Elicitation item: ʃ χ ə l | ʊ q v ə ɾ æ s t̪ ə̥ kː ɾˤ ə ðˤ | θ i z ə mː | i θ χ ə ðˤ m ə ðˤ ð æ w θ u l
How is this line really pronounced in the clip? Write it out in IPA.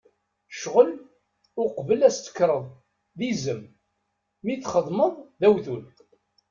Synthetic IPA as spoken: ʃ ʁ ə l | ʊ q v ə l æ s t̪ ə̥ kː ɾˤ ə ðˤ | ð i z ə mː | i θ χ ə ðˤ m ə ðˤ ð æ w θ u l